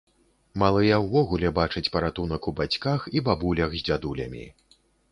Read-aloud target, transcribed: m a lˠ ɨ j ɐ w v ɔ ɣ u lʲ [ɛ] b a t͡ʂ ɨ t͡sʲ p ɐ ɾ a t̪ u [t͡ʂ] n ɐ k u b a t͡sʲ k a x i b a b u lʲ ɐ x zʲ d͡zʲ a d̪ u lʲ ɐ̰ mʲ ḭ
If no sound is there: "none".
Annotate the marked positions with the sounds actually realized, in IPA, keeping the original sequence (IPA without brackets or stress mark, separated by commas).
ɛ, none